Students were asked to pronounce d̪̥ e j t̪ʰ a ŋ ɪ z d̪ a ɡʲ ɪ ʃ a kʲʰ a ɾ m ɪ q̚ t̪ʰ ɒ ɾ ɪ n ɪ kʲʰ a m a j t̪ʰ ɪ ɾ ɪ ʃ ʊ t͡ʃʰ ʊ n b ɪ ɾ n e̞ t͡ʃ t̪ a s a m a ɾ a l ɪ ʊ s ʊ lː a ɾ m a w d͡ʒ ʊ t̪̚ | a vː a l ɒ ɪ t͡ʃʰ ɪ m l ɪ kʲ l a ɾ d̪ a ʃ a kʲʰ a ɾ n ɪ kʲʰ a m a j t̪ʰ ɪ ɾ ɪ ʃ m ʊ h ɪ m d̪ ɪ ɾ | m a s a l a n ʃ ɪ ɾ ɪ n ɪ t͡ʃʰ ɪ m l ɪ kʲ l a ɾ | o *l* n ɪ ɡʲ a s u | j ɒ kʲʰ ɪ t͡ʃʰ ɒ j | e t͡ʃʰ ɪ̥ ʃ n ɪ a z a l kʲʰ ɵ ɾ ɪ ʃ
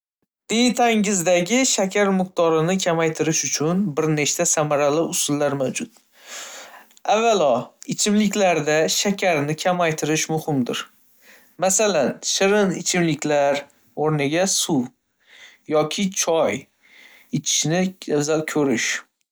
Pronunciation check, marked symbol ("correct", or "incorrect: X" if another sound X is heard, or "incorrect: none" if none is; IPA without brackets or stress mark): incorrect: ɾ